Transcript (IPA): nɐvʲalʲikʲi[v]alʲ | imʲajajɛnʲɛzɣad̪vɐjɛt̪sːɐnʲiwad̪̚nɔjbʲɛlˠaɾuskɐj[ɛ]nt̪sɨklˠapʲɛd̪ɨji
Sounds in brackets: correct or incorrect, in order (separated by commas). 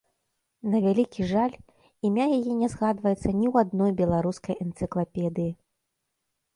incorrect, correct